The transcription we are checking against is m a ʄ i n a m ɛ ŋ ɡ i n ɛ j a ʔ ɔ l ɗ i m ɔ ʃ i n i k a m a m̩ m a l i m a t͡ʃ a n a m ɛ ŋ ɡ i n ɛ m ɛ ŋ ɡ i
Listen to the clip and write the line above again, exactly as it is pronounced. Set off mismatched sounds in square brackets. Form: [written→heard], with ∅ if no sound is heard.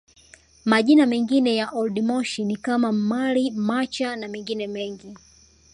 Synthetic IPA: m a ʄ i n a m ɛ ŋ ɡ i n ɛ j a ʔ ɔ l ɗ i m ɔ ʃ i n i k a m a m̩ m a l i m a t͡ʃ a n a m ɛ ŋ ɡ i n ɛ m ɛ ŋ ɡ i